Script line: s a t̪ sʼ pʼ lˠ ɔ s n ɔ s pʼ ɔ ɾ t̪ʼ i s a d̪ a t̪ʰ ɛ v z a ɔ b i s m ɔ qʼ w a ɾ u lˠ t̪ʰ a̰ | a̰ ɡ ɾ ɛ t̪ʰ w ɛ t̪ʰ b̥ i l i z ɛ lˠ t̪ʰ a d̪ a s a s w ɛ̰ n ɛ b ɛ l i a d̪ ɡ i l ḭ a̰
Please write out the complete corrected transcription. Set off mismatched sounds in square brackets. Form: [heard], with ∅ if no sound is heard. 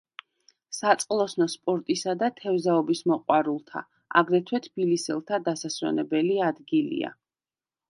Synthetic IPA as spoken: s a t̪ sʼ [qʼ] lˠ ɔ s n ɔ s pʼ ɔ ɾ t̪ʼ i s a d̪ a t̪ʰ ɛ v z a ɔ b i s m ɔ qʼ w a ɾ u lˠ t̪ʰ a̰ | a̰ ɡ ɾ ɛ t̪ʰ w ɛ t̪ʰ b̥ i l i [s] ɛ lˠ t̪ʰ a d̪ a s a s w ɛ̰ n ɛ b ɛ l i a d̪ ɡ i l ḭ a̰